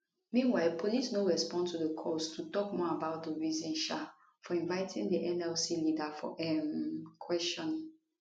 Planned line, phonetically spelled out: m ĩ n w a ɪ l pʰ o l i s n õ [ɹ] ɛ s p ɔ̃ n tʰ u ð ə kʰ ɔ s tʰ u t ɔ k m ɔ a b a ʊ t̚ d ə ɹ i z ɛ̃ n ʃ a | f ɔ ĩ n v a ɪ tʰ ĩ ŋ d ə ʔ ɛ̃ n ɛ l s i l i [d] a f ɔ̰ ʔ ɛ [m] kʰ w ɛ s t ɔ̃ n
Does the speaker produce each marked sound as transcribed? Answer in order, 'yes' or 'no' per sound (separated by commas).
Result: yes, yes, yes